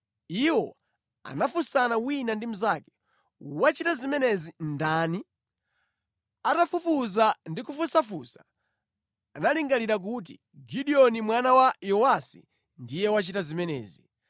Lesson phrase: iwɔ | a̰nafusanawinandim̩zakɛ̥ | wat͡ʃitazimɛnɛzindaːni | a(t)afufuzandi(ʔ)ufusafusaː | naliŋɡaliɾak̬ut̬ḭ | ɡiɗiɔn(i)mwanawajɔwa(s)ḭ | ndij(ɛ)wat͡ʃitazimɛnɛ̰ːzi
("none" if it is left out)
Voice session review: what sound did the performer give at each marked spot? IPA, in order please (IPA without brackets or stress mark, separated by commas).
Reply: t, k, i, s, ɛ